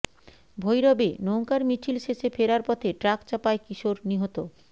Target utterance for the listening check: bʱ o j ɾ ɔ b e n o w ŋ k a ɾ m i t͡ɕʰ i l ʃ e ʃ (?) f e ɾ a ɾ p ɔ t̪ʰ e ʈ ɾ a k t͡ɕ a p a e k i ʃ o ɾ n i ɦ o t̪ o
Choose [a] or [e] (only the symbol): e